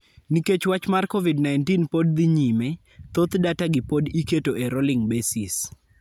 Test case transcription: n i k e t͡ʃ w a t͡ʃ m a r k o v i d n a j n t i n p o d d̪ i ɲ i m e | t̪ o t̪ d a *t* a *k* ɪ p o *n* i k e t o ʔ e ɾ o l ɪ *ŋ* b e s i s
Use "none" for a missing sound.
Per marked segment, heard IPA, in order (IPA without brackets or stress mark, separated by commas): t, ɡ, d, ŋ